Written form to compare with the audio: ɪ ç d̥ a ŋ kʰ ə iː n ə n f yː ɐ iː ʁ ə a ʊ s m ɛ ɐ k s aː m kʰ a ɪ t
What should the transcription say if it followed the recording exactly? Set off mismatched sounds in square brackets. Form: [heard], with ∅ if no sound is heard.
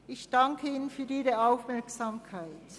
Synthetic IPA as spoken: ɪ ç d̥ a ŋ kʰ ə iː n ə n f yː ɐ iː ʁ ə a ʊ [f] m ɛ ɐ k s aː m kʰ a ɪ t